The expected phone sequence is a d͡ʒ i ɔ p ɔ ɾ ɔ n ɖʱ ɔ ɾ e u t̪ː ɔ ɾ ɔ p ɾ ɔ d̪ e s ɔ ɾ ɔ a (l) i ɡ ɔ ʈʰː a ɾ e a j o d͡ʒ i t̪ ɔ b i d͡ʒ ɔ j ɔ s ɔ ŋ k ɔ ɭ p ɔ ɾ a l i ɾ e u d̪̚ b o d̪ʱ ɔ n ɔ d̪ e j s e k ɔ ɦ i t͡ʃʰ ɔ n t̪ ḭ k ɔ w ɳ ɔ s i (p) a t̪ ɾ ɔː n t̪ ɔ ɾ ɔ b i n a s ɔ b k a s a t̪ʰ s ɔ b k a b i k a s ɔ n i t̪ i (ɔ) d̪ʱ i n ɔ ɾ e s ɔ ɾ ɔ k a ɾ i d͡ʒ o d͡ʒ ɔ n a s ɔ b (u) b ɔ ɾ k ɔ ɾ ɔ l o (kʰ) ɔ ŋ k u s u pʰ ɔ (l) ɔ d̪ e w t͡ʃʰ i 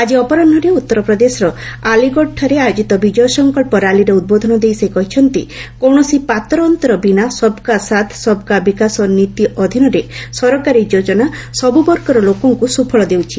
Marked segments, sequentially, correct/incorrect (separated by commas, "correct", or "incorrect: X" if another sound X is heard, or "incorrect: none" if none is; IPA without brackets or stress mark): correct, correct, correct, correct, incorrect: k, incorrect: ɭ